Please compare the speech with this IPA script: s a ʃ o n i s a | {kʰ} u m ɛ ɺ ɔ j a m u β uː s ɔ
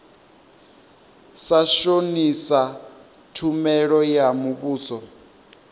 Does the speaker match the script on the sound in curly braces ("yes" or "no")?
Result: no